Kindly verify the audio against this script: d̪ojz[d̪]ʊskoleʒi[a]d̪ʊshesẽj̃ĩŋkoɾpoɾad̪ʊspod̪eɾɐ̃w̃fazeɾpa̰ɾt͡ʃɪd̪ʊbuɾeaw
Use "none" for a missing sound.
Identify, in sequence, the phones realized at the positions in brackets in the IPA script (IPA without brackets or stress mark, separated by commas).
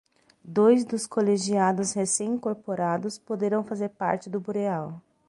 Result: d̪, a